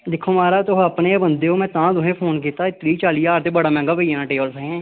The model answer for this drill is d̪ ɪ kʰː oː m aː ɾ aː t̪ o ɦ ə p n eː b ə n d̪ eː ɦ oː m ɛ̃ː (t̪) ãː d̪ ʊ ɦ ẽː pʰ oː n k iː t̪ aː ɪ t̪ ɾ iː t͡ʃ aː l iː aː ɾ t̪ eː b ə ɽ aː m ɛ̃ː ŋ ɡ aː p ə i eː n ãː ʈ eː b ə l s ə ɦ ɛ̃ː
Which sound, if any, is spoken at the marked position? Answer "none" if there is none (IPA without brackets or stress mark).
t̪